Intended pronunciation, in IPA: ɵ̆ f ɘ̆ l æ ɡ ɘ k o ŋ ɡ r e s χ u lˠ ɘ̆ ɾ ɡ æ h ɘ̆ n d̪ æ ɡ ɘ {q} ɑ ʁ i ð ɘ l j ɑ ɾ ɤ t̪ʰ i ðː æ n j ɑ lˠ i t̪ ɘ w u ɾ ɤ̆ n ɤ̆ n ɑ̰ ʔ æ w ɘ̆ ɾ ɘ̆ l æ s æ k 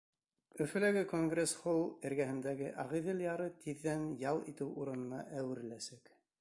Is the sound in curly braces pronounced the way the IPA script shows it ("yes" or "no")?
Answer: no